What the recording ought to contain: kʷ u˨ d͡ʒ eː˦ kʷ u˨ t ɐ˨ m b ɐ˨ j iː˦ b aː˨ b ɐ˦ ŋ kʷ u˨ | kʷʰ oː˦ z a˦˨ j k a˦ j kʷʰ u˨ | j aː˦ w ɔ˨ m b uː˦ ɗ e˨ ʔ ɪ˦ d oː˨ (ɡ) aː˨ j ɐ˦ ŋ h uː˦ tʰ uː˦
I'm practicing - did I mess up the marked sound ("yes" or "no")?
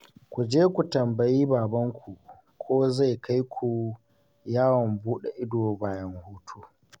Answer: yes